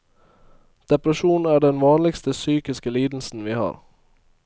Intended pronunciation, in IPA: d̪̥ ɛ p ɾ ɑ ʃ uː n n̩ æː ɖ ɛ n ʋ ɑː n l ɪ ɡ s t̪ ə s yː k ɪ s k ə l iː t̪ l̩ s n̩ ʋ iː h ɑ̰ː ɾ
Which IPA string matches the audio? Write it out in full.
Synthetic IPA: d̪̥ ɛ p ɾ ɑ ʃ uː n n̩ æː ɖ ɛ n ʋ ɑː n l ɪ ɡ s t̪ ə s yː k ɪ s k ə l iː d̪ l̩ s n̩ ʋ iː h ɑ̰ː ɾ